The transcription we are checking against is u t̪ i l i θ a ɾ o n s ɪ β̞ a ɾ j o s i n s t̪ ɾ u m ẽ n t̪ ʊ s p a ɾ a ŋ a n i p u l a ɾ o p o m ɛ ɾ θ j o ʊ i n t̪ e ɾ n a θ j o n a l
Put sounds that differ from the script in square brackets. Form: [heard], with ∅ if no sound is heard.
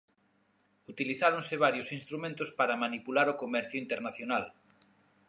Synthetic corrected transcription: u t̪ i l i θ a ɾ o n s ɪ β̞ a ɾ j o s i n s t̪ ɾ u m ẽ n t̪ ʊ s p a ɾ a [m] a n i p u l a ɾ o [k] o m ɛ ɾ θ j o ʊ i n t̪ e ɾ n a θ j o n a l